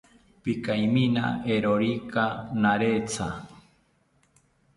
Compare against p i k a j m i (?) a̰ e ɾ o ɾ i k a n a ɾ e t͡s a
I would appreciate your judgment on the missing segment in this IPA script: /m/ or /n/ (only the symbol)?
n